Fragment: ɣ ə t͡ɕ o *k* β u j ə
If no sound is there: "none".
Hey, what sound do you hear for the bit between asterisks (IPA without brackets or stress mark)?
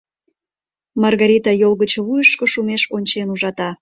none